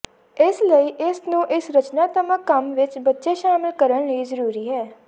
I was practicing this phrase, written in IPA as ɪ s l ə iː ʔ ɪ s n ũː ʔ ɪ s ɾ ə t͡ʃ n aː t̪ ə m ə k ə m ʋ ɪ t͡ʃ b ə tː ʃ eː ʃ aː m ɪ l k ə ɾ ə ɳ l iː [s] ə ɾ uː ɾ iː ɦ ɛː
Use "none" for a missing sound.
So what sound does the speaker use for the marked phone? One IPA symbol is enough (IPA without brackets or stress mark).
z